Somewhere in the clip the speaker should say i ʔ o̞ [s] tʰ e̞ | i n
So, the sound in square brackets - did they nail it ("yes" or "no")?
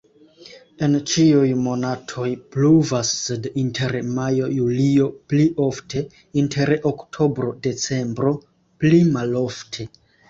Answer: no